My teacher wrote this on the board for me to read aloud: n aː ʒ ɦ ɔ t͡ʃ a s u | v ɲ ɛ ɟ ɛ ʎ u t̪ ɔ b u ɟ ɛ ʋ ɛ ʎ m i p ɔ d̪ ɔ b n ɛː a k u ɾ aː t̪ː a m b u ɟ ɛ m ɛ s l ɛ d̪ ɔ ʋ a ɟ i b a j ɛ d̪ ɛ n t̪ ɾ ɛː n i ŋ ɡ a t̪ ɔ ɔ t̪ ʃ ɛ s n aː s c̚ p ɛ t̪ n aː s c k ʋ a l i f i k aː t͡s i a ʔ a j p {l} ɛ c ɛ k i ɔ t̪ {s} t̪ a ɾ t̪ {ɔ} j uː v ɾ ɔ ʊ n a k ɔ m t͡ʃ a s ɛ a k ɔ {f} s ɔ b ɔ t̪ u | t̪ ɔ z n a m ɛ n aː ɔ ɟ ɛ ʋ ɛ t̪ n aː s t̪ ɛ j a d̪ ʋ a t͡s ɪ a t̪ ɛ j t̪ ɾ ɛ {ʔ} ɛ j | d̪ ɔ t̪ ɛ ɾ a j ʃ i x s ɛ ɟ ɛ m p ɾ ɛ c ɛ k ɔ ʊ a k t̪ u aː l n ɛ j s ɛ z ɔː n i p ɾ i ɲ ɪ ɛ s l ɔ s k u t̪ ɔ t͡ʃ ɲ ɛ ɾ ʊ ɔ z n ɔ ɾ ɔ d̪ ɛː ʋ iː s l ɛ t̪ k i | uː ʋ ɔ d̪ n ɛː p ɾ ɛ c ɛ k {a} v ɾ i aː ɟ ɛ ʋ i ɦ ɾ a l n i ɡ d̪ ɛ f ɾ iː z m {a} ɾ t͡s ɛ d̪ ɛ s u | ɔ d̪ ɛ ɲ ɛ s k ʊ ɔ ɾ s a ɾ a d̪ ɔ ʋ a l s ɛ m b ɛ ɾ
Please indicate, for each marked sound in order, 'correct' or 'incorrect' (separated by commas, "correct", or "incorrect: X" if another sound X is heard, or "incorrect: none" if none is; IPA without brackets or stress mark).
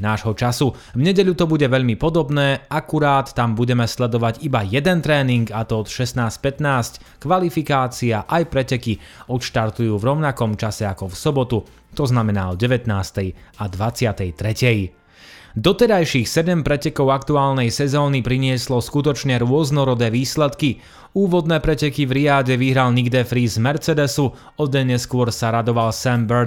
incorrect: ɾ, incorrect: ʃ, incorrect: u, correct, incorrect: c, incorrect: i, incorrect: ɛ